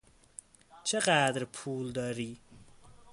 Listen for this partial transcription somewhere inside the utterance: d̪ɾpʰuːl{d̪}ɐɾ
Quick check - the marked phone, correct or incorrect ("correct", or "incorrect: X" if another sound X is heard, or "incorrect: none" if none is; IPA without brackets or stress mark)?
correct